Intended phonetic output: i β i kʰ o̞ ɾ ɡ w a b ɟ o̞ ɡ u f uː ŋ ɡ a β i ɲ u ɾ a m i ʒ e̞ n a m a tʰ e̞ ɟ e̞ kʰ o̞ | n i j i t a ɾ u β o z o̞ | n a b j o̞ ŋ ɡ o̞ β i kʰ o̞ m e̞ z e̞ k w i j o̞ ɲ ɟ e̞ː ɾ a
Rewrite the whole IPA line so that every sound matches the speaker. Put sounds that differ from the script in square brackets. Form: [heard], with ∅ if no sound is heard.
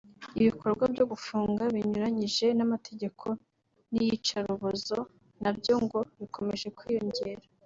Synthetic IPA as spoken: i β i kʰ o̞ ɾ ɡ w a b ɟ o̞ ɡ u f uː ŋ ɡ a β i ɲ u ɾ a [ɲ] i ʒ e̞ n a m a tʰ e̞ ɟ e̞ kʰ o̞ | n i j i [t͡ʃ] a ɾ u β o z o̞ | n a b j o̞ ŋ ɡ o̞ β i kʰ o̞ m e̞ [ʒ] e̞ k w i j o̞ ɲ ɟ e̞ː ɾ a

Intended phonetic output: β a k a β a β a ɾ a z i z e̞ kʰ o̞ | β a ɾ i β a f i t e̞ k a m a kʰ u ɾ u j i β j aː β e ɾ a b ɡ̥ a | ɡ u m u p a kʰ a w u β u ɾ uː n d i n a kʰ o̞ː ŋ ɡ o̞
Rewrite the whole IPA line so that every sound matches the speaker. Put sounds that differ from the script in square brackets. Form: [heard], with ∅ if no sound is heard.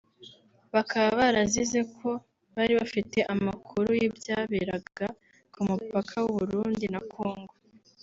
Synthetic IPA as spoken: β a k a β a β a ɾ a z i z e̞ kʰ o̞ | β a ɾ i β a f i t e̞ [ʔ] a m a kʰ u ɾ u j i [b] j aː β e ɾ a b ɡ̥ a | [k] u m u p a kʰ a w u β u ɾ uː n d i n a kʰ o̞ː ŋ ɡ o̞

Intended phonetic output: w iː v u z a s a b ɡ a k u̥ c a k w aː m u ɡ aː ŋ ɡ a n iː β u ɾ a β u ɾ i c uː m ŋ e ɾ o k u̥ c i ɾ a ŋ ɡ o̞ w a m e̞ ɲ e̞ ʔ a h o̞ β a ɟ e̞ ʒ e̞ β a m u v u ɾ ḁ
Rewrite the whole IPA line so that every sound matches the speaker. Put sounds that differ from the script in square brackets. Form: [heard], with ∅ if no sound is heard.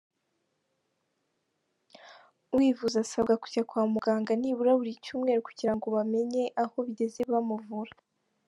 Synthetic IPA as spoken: w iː v u z a s a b ɡ a k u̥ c a k w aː m u ɡ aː ŋ ɡ a n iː β u ɾ a β u ɾ i c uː m ŋ e ɾ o k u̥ [ɟ] i ɾ a ŋ ɡ o̞ [β] a m e̞ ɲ e̞ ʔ a h o̞ β [i] ɟ e̞ [z] e̞ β a m u v u ɾ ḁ

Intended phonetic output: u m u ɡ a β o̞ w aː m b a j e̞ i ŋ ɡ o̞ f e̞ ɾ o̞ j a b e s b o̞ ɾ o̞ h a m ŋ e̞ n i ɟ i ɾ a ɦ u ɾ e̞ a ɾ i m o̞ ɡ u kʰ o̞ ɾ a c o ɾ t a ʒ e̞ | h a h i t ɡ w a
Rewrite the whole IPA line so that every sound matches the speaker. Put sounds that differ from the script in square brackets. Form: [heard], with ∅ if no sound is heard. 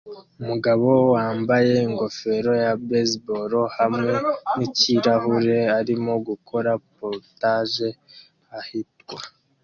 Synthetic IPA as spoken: u m u ɡ a β o̞ w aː m b a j e̞ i ŋ ɡ o̞ f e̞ ɾ o̞ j a b e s b o̞ ɾ o̞ h a m ŋ e̞ n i [c] i ɾ a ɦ u ɾ e̞ a ɾ i m o̞ ɡ u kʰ o̞ ɾ a [p] o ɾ t a ʒ e̞ | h a h i t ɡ w a

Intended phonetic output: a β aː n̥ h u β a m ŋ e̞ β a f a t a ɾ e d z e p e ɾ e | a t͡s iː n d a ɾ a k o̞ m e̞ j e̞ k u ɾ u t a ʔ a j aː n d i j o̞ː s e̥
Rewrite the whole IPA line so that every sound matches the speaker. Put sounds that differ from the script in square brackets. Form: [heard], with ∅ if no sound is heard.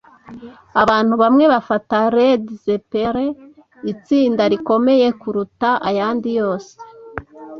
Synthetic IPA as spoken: a β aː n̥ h u β a m ŋ e̞ β a f a t a ɾ e d z e p e ɾ e | [i] t͡s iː n d a ɾ [i] k o̞ m e̞ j e̞ k u ɾ u t a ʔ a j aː n d i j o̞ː s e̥

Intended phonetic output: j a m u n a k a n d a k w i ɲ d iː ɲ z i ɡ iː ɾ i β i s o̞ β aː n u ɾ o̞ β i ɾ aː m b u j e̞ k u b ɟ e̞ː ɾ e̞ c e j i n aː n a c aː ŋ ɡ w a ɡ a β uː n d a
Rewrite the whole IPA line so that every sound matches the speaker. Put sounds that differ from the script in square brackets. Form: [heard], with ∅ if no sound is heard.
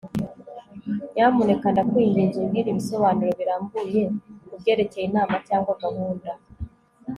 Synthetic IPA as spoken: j a m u n [e] k a n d a k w i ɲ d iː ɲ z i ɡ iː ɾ i β i s o̞ β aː n u ɾ o̞ β i ɾ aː m b u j e̞ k u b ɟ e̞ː ɾ e̞ c e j i n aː [m] a c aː ŋ ɡ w a ɡ a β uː n d a

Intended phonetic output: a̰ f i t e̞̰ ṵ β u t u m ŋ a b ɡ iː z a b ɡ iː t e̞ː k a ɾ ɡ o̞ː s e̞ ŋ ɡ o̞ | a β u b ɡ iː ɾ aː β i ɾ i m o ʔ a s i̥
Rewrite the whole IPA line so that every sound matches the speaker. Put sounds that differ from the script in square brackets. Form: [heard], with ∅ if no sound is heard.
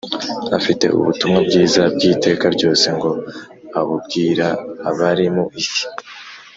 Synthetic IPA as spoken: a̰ f i t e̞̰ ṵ β u t u m ŋ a b ɡ iː z a b ɡ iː t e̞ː k a ɾ [ɟ] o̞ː s e̞ ŋ ɡ o̞ | a β u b ɡ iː ɾ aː β [a] ɾ i m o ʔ [i] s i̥

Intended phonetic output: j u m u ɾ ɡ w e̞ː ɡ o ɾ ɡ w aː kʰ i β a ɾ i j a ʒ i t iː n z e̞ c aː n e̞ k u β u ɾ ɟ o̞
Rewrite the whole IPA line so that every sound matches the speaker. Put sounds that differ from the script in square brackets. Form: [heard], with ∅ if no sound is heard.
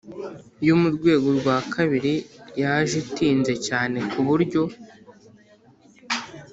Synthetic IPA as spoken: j u m u ɾ ɡ w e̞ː ɡ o ɾ ɡ w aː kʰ [a] β [i] ɾ i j a ʒ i t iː n z e̞ c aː n e̞ k u β u ɾ ɟ o̞

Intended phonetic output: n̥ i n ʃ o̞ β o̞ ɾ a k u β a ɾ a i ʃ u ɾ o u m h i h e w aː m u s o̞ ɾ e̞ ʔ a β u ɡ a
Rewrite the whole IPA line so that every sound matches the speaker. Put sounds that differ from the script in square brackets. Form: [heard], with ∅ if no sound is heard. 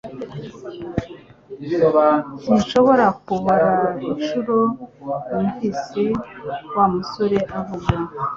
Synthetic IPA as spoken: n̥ i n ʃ o̞ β o̞ ɾ a k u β a ɾ a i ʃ u ɾ o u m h i [s] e w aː m u s o̞ ɾ e̞ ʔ a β u ɡ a

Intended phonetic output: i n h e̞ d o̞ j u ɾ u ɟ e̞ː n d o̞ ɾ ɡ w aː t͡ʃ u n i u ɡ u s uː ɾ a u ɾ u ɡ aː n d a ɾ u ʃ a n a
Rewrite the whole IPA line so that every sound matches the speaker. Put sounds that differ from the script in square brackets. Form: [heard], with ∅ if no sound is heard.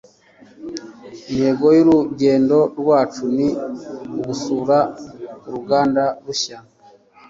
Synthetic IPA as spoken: i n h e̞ [ɡ] o̞ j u ɾ u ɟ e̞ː n d o̞ ɾ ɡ w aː t͡ʃ u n i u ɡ u s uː ɾ a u ɾ u ɡ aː n d a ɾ u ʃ a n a

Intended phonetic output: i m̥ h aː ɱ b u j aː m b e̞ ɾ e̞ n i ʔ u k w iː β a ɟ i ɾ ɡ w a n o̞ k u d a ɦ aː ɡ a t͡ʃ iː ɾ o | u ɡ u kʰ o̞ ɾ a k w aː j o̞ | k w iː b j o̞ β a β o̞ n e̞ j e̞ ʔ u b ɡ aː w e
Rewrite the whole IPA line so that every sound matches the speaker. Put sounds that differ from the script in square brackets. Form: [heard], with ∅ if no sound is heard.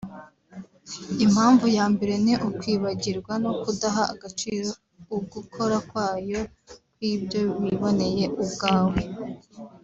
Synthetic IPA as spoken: i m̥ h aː ɱ [v] u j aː m b e̞ ɾ e̞ n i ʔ u k w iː β a ɟ i ɾ ɡ w a n o̞ k u d a ɦ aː ɡ a t͡ʃ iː ɾ o | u ɡ u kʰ o̞ ɾ a k w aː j o̞ | k w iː b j o̞ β [i] β o̞ n e̞ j e̞ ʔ u b ɡ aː w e

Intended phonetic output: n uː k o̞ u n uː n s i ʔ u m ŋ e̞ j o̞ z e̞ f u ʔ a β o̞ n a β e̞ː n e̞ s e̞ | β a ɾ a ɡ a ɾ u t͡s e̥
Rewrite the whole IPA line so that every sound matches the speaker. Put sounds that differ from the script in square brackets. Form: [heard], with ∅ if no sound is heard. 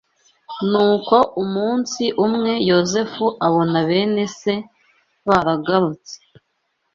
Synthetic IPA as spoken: n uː k o̞ u [m] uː n s i ʔ u m ŋ e̞ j o̞ z e̞ f u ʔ a β o̞ n a β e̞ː n e̞ s e̞ | β a ɾ a ɡ a ɾ u t͡s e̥

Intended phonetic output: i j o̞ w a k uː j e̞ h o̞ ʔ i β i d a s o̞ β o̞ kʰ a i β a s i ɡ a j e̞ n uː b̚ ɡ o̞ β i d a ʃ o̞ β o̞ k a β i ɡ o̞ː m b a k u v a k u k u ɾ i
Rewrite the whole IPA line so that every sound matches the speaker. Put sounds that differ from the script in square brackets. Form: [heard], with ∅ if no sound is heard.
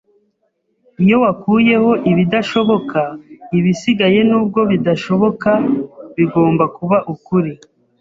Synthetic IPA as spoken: i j o̞ w a k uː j e̞ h o̞ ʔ i β i d a [ʃ] o̞ β o̞ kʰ a i β [i] s i ɡ a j e̞ n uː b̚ ɡ o̞ β i d a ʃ o̞ β o̞ k a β i ɡ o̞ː m b a k u [β] a [ʔ] u k u ɾ i

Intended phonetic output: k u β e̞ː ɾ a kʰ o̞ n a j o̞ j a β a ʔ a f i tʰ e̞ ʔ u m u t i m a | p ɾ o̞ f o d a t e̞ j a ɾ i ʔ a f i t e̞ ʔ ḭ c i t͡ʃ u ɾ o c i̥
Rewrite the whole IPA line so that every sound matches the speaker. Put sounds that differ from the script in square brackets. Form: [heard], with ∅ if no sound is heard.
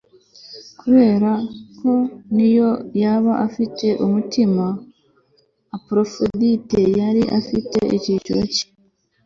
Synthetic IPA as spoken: k u β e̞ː ɾ a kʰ o̞ n [i] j o̞ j a β a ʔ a f i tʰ e̞ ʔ u m u t i m a | p ɾ o̞ f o d [i] t e̞ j a ɾ i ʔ a f i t e̞ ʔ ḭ c i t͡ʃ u ɾ o c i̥

